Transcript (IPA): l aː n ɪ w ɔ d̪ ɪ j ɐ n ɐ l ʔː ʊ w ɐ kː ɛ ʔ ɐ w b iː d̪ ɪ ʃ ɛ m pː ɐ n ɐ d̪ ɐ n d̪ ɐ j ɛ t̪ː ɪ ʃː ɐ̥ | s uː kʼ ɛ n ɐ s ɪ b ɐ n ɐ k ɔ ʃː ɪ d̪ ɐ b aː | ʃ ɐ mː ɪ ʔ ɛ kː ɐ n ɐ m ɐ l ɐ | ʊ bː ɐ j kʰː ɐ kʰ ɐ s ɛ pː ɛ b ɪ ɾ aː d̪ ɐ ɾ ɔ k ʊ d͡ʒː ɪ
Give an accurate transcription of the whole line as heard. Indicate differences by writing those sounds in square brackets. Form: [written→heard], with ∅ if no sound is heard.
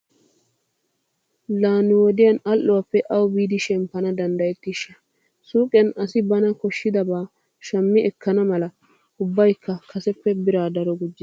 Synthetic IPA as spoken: l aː n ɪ w ɔ d̪ ɪ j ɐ n ɐ l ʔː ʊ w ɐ [kː→pː] ɛ ʔ ɐ w b iː d̪ ɪ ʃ ɛ m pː ɐ n ɐ d̪ ɐ n d̪ ɐ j ɛ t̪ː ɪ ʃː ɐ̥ | s uː kʼ ɛ n ɐ s ɪ b ɐ n ɐ k ɔ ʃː ɪ d̪ ɐ b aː | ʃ ɐ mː ɪ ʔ ɛ kː ɐ n ɐ m ɐ l ɐ | ʊ bː ɐ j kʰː ɐ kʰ ɐ s ɛ pː ɛ b ɪ ɾ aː d̪ ɐ ɾ ɔ [k→ɡ] ʊ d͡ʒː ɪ